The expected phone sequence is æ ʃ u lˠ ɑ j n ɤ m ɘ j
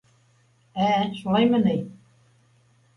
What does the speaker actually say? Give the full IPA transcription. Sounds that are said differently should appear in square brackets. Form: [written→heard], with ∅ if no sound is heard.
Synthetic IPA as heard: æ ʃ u lˠ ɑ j [n→m] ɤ [m→n] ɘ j